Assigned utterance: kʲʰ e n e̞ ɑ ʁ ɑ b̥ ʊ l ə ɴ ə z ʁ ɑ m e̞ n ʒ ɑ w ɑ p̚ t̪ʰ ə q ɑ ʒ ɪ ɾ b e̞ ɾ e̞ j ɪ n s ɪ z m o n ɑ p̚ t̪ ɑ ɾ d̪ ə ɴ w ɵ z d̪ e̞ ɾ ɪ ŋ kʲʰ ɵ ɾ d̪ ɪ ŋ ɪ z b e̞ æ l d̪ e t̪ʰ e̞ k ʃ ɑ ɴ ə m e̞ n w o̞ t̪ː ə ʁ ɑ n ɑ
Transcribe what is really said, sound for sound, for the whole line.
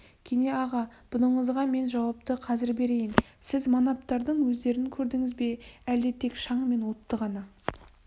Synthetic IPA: kʲʰ e n e̞ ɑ ʁ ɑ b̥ ʊ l ə ɴ ə z ʁ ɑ m e̞ n ʒ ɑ w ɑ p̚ t̪ ə qʰ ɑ z ɪ ɾ b e̞ ɾ e̞ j ɪ n s ɪ z m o n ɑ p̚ t̪ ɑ ɾ d̪ ə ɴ w ɵ z d̪ e̞ ɾ ɪ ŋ kʲʰ ɵ ɾ d̪ ɪ ŋ ɪ z b e̞ æ l d̪ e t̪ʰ e̞ k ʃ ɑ ɴ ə m e̞ n w o̞ t̪ː ə ʁ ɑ n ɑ